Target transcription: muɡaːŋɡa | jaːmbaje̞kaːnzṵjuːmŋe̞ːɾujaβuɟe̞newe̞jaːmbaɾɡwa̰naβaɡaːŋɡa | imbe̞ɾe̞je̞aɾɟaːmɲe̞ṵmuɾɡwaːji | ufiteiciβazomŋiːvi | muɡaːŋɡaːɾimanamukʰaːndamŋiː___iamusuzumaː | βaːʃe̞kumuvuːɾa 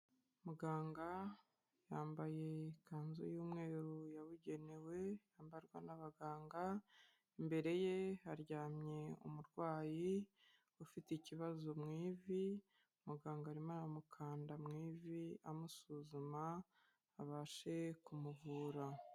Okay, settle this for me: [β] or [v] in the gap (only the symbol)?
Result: v